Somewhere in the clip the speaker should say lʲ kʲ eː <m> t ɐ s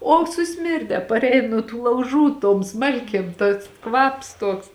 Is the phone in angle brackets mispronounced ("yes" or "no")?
no